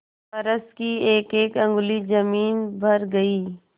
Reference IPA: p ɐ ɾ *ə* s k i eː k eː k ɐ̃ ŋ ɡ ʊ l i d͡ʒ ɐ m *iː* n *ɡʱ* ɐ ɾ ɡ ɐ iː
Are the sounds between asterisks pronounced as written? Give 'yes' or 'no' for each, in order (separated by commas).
yes, yes, no